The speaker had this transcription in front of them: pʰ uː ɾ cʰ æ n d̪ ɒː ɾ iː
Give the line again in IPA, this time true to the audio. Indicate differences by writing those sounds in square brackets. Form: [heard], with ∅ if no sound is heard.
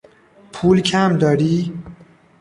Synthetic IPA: pʰ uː [l] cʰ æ [m] d̪ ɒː ɾ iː